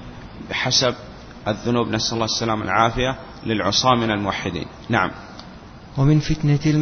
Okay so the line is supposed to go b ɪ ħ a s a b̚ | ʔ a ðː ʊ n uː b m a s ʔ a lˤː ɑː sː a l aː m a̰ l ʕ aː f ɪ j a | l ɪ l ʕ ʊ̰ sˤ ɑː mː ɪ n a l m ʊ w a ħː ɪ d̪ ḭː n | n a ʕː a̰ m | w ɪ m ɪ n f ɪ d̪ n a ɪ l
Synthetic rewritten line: b ɪ ħ a s a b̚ | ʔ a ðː ʊ n uː b n a s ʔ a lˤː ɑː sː a l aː m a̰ l ʕ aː f ɪ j a | l ɪ l ʕ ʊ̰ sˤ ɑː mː ɪ n a l m ʊ w a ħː ɪ d̪ ḭː n | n a ʕ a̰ m | w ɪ m ɪ n f ɪ t̪ n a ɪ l